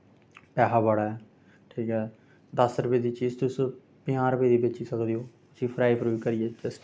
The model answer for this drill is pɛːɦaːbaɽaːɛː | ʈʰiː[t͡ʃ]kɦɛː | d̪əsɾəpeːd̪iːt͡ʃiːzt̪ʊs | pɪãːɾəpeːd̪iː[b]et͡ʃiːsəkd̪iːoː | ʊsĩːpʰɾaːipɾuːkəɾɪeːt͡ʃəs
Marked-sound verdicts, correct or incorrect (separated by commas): incorrect, correct